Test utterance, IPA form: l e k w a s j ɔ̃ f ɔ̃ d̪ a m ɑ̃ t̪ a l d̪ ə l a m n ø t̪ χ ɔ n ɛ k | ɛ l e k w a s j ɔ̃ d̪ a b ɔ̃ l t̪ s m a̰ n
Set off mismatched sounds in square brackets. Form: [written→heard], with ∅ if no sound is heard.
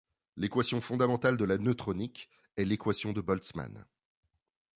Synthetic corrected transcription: l e k w a s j ɔ̃ f ɔ̃ d̪ a m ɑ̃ t̪ a l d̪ ə l a [m→∅] n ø t̪ χ ɔ n [ɛ→i] k | ɛ l e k w a s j ɔ̃ d̪ [a→ə] b [ɔ̃→ɔ] l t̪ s m a̰ n